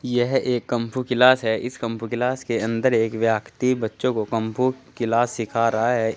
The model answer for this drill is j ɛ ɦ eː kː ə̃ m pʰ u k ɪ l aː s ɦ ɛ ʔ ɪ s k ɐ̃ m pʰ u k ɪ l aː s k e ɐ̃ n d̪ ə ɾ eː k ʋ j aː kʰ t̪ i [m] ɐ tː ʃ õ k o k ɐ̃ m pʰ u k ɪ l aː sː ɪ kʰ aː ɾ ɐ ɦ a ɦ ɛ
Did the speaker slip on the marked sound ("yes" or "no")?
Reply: yes